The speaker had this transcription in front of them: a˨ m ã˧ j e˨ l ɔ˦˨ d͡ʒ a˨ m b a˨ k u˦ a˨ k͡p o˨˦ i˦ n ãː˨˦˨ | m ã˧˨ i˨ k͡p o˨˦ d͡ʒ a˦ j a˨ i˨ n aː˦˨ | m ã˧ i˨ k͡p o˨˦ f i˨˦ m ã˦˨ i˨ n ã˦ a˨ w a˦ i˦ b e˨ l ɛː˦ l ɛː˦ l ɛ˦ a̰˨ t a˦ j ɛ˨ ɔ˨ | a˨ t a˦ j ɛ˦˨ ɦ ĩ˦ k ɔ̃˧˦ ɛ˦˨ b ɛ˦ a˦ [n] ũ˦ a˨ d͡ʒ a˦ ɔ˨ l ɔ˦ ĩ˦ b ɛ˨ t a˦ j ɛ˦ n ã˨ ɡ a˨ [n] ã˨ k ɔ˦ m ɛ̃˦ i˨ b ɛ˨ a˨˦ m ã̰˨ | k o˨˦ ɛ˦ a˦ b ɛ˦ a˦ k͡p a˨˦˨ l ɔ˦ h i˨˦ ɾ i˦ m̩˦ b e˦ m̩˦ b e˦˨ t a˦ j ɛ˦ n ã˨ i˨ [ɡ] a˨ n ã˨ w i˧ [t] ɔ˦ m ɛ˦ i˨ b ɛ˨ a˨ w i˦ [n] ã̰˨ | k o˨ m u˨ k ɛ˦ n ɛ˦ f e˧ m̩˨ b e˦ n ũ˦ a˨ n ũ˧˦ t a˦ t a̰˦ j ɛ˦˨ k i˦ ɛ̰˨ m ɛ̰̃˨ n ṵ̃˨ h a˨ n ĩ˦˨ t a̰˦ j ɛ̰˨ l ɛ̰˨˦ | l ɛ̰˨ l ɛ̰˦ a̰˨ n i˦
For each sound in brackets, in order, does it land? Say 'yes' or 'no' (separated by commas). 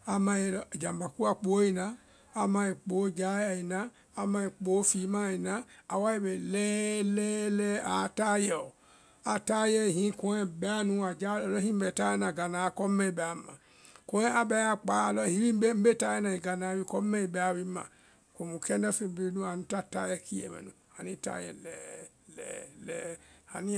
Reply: yes, yes, yes, no, no